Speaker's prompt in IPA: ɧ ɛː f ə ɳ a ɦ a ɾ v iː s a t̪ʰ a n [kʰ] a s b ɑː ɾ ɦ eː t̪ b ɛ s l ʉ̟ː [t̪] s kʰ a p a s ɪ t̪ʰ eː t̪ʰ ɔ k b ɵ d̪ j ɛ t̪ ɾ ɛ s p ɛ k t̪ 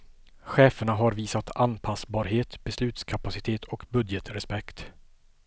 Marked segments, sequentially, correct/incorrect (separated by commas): incorrect, correct